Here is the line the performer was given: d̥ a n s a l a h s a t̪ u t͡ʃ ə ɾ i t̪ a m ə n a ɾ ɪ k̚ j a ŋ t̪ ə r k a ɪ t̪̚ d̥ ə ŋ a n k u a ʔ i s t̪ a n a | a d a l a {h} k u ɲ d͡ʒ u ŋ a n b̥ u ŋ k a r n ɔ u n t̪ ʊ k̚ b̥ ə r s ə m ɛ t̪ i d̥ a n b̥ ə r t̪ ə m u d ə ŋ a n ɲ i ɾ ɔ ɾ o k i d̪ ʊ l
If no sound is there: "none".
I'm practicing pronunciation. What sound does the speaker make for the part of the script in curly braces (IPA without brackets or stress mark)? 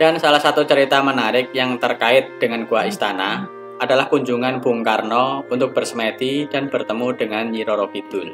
h